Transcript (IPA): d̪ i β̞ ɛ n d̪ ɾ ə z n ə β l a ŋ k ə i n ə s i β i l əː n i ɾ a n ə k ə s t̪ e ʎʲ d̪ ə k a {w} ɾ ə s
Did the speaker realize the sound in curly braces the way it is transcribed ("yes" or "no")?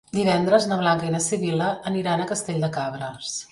no